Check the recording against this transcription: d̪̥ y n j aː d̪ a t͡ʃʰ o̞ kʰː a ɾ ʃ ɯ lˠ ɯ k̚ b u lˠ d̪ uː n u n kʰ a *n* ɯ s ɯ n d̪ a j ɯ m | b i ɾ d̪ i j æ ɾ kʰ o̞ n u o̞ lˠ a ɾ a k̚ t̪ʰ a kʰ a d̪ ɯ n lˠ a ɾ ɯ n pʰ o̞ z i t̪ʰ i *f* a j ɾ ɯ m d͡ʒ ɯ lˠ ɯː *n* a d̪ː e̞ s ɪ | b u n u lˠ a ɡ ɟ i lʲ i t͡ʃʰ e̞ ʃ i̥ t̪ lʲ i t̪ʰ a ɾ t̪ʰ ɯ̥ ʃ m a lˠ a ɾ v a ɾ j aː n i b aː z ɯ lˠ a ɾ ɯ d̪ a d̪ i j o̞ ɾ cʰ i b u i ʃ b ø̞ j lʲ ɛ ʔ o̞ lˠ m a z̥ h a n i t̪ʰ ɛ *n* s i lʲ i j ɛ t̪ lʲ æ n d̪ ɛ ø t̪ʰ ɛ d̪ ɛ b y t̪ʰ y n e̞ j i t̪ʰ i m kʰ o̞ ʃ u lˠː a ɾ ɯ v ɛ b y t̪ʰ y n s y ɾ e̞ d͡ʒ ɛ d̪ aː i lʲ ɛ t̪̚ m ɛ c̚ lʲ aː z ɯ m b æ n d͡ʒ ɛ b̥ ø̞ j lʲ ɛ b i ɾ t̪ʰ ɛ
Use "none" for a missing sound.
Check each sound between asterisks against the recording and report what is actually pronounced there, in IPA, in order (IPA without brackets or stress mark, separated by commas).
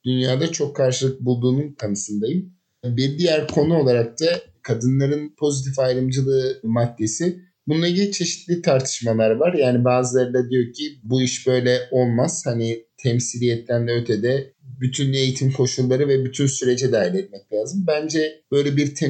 n, f, m, m